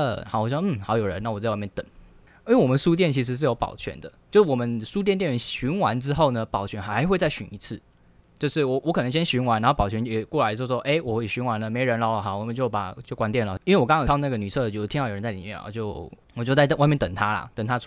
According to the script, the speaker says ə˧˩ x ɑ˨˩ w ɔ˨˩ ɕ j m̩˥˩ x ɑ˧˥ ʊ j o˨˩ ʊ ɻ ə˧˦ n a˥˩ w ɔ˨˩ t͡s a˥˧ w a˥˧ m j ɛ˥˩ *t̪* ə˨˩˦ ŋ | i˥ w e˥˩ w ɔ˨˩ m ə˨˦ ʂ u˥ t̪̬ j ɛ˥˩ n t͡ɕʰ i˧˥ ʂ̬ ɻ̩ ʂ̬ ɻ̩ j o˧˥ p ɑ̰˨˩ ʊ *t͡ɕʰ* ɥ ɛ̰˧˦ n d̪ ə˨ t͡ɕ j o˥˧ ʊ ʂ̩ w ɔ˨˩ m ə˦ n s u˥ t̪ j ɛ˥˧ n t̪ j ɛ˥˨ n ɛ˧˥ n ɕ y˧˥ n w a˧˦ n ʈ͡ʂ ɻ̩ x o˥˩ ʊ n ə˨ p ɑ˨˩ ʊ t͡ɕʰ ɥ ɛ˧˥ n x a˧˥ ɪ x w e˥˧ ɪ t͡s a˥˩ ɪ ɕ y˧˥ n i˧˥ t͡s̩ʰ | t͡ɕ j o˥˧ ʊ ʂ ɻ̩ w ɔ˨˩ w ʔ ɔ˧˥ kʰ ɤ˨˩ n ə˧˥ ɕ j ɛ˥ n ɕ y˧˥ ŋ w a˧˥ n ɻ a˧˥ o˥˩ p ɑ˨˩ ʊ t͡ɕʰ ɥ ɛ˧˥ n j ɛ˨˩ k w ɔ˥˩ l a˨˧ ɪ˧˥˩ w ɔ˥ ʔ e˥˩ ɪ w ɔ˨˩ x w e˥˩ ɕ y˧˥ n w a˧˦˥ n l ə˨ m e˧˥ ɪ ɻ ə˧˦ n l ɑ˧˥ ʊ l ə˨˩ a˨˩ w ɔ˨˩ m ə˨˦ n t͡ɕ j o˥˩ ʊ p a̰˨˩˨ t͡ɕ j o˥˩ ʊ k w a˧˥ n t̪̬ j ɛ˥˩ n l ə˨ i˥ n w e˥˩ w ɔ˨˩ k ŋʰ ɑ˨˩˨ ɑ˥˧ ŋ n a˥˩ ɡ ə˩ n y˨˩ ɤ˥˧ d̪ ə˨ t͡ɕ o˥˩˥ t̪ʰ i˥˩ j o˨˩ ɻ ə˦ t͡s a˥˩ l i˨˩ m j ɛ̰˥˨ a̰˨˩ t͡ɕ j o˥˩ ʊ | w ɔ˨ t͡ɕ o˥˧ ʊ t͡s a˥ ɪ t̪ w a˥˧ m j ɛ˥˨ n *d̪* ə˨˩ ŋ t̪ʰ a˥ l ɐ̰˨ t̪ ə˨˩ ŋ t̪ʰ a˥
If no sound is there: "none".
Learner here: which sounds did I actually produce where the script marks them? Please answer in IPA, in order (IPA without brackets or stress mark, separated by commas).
t̪, t͡ɕʰ, t̪